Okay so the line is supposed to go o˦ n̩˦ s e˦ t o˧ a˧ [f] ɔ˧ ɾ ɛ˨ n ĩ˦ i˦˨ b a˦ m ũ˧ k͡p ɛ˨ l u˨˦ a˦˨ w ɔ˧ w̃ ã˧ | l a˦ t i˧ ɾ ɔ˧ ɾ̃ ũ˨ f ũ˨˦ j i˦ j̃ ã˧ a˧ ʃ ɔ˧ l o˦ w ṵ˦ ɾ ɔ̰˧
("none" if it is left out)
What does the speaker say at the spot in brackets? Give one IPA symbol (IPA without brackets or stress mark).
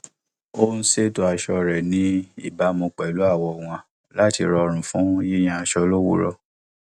ʃ